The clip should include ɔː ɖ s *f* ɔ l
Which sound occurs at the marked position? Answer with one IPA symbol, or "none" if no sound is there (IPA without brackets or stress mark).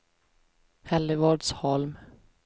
h